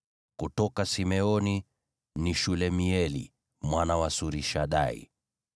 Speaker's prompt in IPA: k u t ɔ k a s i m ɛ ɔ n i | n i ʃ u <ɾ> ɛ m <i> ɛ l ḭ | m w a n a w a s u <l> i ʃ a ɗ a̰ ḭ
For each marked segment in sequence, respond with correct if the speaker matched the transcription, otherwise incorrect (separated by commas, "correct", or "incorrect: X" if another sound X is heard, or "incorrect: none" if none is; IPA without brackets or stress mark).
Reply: incorrect: l, correct, incorrect: ɾ